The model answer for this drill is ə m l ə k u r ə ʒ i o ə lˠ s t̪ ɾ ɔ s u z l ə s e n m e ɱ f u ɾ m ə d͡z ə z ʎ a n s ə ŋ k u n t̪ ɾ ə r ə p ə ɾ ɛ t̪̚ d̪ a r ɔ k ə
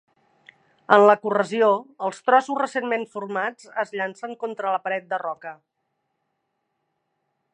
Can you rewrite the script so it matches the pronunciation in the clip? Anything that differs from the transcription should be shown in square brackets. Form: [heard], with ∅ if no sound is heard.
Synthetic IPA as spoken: ə [n] l ə k u r ə [z] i o ə lˠ s t̪ ɾ ɔ s u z [r] ə s e n m e ɱ f u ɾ m [a] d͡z ə z ʎ a n s ə ŋ k [o] n t̪ ɾ ə [l] ə p ə ɾ ɛ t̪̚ d̪ [ə] r ɔ k ə